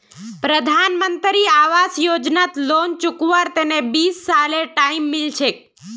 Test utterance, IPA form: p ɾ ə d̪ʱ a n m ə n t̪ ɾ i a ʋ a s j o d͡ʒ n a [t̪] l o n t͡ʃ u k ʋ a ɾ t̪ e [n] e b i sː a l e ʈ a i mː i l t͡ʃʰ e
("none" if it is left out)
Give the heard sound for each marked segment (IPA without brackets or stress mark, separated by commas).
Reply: t̪, n